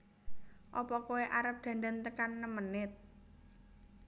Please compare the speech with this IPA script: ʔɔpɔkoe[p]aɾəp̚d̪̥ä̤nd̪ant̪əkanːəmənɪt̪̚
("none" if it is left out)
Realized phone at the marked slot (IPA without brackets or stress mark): ʔ